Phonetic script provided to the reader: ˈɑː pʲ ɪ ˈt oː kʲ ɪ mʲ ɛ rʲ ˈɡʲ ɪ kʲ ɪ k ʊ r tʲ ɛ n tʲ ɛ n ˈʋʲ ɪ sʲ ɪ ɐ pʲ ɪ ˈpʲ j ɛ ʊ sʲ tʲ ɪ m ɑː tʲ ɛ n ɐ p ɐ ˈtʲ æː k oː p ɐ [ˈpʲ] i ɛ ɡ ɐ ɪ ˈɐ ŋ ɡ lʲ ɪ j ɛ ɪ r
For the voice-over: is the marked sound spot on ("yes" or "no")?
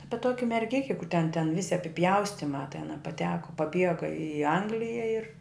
no